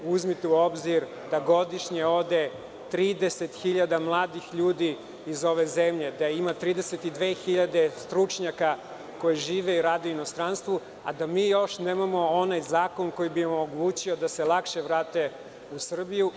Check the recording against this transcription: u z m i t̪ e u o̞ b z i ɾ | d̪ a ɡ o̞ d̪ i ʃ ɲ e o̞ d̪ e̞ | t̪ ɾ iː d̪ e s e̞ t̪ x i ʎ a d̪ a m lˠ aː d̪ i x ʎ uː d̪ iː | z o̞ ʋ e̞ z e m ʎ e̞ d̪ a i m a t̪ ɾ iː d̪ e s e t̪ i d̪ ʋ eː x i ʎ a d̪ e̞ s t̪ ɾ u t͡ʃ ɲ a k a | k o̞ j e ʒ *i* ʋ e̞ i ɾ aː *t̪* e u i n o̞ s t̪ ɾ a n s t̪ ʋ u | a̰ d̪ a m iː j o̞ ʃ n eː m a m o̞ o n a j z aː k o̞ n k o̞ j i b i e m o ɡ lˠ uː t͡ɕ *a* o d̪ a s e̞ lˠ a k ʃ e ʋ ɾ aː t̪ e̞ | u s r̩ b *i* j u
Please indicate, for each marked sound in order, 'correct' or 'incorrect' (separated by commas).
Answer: incorrect, incorrect, incorrect, correct